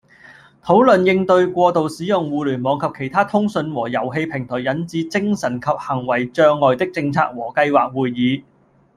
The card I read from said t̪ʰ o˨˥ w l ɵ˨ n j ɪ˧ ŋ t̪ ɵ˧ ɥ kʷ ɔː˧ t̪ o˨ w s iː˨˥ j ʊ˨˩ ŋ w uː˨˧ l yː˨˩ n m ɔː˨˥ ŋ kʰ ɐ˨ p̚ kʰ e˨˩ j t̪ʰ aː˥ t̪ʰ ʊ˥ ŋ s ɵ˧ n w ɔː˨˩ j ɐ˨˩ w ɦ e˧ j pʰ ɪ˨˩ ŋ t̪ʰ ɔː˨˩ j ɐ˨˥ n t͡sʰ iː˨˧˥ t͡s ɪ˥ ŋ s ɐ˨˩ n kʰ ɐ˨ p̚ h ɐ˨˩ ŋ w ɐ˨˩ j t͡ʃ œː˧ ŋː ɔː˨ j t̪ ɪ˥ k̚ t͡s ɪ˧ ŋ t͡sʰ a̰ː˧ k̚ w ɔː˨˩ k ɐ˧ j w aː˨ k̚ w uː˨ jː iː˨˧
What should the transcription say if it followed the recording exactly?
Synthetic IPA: t̪ʰ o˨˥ w l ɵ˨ n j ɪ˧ ŋ t̪ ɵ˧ ɥ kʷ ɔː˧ t̪ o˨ w s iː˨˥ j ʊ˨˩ ŋ w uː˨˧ l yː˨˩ n m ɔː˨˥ ŋ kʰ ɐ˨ p̚ kʰ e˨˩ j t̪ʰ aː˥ t̪ʰ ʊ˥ ŋ s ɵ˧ n w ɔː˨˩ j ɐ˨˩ w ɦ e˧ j pʰ ɪ˨˩ ŋ t̪ʰ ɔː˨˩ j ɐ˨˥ n t͡s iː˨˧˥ t͡s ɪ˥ ŋ s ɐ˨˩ n kʰ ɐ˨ p̚ h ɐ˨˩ ŋ w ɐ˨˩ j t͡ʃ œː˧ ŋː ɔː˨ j t̪ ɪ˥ k̚ t͡s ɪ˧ ŋ t͡sʰ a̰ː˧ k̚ w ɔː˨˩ k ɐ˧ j w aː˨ k̚ w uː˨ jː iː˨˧